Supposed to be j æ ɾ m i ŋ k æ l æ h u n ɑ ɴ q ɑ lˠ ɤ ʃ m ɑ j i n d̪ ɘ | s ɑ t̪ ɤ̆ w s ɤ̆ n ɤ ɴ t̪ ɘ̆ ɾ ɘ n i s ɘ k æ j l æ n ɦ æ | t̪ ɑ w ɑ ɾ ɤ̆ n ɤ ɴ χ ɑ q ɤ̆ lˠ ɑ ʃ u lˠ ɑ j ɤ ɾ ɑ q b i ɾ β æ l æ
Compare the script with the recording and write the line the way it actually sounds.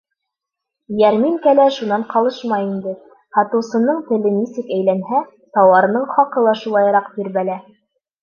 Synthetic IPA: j æ ɾ m i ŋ k æ l æ ʃ u n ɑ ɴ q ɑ lˠ ɤ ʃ m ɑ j i n d̪ ɘ | h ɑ t̪ ɤ̆ w s ɤ̆ n ɤ ɴ t̪ ɘ̆ l ɘ n i s ɘ k æ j l æ n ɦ æ | t̪ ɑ w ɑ ɾ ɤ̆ n ɤ ɴ χ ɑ q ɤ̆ lˠ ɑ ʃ u lˠ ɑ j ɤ ɾ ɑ q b i ɾ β æ l æ